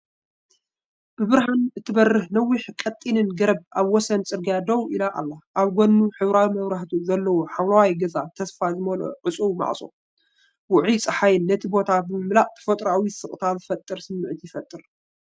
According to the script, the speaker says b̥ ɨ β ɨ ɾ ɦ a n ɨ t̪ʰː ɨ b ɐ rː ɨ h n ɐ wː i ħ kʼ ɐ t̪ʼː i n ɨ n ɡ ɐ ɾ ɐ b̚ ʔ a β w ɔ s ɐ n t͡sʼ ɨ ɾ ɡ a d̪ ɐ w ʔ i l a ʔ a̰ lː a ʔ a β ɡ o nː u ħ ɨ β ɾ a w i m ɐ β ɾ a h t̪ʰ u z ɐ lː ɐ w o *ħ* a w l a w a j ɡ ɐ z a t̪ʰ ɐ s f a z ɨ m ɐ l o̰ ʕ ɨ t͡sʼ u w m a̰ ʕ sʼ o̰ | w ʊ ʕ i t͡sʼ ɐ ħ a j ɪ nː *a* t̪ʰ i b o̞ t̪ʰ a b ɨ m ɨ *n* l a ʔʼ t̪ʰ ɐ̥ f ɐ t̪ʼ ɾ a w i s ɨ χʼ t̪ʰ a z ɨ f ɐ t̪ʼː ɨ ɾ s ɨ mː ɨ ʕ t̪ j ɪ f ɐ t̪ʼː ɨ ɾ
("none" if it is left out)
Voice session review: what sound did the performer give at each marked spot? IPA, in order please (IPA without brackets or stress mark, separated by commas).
ħ, ɐ, m